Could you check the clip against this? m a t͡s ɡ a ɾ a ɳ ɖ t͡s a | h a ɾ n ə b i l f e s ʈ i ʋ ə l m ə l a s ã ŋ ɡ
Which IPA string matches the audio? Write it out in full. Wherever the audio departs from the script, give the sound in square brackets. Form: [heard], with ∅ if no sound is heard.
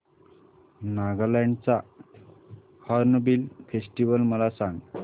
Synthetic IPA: [n] a [∅] ɡ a [l] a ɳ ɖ t͡s a | h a ɾ n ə b i l f e s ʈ i ʋ ə l m ə l a s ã ŋ ɡ